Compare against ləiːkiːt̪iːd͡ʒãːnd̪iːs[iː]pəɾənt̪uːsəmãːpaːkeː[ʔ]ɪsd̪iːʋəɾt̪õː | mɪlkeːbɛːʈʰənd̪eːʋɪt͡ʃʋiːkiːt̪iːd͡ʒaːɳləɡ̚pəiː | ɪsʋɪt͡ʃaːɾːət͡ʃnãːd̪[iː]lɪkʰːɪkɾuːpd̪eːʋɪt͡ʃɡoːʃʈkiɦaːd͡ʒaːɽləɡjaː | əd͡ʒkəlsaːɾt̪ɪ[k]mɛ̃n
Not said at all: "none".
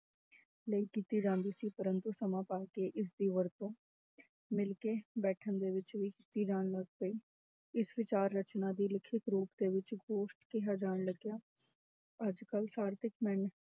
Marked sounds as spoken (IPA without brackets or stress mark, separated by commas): iː, ʔ, iː, k